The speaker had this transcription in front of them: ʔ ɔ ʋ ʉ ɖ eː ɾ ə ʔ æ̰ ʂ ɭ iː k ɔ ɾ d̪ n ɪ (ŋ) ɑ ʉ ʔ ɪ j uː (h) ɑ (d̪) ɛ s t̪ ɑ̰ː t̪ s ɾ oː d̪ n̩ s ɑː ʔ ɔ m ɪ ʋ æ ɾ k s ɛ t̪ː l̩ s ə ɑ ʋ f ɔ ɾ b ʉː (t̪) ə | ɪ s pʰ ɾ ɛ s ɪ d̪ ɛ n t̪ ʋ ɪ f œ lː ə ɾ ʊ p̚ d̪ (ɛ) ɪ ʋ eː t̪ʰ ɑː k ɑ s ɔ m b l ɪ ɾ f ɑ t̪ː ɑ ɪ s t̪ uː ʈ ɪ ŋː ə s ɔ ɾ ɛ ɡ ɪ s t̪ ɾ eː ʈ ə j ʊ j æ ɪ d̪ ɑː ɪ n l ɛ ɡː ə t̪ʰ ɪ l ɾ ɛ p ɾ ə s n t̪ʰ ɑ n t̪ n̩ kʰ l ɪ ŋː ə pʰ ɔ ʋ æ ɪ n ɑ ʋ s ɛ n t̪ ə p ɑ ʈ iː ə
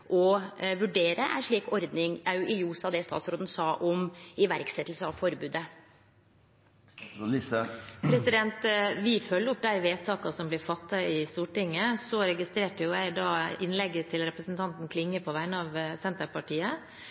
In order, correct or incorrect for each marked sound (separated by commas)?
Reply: correct, incorrect, correct, incorrect, incorrect